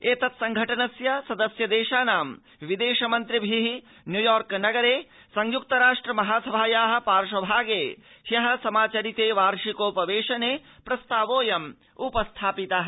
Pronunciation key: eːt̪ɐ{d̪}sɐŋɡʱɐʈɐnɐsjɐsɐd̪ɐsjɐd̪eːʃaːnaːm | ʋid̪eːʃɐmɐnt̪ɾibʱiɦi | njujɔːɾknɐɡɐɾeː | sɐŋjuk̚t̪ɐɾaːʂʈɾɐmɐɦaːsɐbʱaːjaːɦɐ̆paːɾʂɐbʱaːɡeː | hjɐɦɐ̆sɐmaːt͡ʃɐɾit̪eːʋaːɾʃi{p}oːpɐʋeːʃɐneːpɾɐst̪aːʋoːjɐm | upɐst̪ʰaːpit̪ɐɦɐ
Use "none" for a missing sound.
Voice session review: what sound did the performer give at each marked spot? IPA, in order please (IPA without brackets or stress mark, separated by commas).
t̪, k